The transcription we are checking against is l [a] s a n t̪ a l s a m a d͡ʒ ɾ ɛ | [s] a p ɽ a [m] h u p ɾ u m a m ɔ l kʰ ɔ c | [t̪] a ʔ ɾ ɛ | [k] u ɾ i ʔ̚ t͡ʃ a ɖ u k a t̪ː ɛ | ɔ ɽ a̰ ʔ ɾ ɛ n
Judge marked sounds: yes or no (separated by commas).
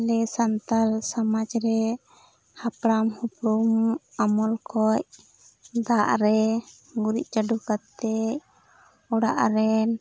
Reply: no, no, yes, no, no